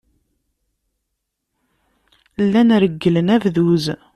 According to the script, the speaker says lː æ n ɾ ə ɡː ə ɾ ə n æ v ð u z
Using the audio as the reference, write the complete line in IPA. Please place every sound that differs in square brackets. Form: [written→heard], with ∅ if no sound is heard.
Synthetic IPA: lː æ n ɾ ə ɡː ə [ɾ→l] ə n æ v ð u z